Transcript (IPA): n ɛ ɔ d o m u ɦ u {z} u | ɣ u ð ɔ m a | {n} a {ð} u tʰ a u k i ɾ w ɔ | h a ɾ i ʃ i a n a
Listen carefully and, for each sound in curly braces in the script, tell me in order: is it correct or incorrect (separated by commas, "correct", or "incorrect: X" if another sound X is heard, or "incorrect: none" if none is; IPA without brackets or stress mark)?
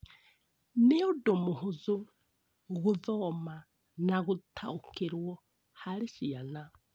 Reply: correct, correct, incorrect: ɣ